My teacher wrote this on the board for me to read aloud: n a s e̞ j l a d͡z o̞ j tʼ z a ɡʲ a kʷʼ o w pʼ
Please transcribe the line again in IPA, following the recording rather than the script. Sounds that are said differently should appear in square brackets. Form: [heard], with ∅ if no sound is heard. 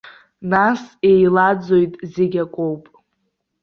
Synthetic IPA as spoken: n a s e̞ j l a d͡z o̞ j tʼ z [e] ɡʲ a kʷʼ o w pʼ